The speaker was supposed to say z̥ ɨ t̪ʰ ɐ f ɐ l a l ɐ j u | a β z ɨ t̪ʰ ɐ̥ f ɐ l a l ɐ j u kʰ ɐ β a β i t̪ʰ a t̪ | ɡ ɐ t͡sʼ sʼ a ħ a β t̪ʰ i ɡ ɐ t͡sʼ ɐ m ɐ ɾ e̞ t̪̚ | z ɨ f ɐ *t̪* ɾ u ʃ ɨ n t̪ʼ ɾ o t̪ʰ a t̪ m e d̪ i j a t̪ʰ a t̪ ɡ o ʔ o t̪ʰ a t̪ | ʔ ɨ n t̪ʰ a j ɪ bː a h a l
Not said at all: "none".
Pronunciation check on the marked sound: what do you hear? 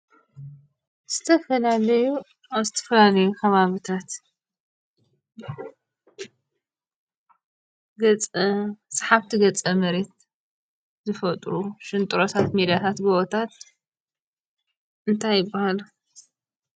t̪ʼ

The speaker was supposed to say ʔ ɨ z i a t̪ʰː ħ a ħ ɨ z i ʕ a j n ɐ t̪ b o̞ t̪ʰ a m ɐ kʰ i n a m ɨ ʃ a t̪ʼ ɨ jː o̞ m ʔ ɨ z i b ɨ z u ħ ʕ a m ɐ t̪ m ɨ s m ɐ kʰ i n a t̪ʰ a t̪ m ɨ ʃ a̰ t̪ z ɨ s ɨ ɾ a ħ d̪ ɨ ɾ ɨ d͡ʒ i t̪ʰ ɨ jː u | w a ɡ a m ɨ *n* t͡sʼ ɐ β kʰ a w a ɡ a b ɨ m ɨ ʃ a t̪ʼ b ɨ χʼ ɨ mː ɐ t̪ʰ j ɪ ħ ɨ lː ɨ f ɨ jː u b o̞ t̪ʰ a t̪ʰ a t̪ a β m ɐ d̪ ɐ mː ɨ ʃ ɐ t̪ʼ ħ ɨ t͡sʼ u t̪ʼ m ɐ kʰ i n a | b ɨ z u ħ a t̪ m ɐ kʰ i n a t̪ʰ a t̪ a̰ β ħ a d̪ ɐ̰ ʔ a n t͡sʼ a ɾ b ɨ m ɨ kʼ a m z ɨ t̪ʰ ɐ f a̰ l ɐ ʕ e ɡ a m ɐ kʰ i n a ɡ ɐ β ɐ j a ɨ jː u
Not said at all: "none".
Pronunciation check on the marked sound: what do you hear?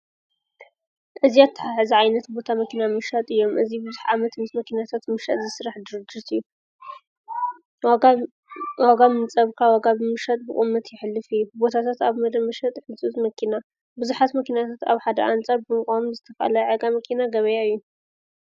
n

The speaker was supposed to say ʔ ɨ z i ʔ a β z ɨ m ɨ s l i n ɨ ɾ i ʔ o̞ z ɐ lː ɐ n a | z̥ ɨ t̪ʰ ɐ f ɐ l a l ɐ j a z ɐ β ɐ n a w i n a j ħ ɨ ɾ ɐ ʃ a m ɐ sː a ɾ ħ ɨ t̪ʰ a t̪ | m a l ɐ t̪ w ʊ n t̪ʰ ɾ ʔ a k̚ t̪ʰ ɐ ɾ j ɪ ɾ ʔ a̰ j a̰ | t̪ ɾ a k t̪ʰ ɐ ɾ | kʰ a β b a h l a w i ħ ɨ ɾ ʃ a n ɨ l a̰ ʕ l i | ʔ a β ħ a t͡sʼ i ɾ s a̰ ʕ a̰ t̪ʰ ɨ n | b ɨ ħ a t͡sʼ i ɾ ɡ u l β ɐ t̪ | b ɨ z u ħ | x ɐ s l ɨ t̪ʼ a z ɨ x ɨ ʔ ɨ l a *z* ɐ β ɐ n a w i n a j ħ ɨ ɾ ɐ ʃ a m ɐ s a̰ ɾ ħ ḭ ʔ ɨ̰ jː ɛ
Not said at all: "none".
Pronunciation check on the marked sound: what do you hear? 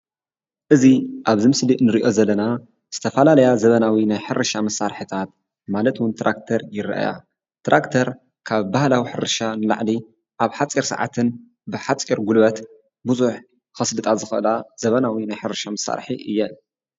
z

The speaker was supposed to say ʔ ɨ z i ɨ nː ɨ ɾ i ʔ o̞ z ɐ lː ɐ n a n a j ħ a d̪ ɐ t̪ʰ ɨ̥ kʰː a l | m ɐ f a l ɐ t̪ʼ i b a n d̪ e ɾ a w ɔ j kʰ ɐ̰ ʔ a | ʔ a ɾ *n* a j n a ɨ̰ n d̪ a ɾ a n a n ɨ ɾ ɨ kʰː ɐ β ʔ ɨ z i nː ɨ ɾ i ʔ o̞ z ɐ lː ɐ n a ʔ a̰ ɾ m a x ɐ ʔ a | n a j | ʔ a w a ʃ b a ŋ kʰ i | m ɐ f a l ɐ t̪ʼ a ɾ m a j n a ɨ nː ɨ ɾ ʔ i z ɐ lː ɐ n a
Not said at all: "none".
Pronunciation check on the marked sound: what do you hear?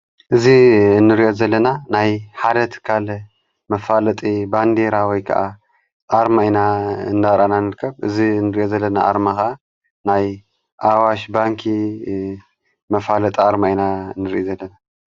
m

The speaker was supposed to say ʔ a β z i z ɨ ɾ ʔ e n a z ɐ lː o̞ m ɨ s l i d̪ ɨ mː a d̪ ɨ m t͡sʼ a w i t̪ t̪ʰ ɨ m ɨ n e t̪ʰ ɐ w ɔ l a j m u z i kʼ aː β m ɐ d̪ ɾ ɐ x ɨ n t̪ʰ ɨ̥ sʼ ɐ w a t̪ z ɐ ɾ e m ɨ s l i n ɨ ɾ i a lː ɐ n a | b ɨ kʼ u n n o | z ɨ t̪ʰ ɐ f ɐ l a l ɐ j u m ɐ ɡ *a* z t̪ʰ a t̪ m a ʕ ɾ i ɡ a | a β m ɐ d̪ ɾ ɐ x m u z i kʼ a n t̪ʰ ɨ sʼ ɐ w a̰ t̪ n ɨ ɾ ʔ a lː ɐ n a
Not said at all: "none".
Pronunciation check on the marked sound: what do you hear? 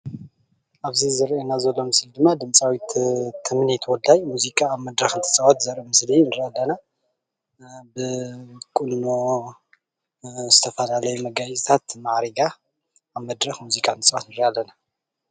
a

